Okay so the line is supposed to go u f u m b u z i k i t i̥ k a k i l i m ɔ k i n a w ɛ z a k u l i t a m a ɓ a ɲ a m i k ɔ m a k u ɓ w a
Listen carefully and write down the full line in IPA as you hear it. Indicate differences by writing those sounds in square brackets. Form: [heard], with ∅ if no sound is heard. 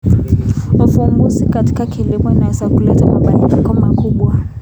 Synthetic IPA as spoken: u f u m b u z i k [a] t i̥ k a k i l i m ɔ [∅] i n a w ɛ z a k u l [ɛ] t a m a ɓ a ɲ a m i k ɔ m a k u ɓ w a